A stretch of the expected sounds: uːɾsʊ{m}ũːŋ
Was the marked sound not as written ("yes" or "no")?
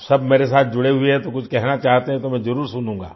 yes